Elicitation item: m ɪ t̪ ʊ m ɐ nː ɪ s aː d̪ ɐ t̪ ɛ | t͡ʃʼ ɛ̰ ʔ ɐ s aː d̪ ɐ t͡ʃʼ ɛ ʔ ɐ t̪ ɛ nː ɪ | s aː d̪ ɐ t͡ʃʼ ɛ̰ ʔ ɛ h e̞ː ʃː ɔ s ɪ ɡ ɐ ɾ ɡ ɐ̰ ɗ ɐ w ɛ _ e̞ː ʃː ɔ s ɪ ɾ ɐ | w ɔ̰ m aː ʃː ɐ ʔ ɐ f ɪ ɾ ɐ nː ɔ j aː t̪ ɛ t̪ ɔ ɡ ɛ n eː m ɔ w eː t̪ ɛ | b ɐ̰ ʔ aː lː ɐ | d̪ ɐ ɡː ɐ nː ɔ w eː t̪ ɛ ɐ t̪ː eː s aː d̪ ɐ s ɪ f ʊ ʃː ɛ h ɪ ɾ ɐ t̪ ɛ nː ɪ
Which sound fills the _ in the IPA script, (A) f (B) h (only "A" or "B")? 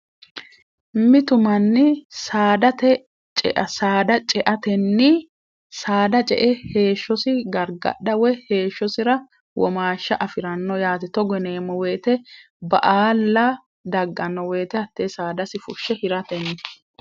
B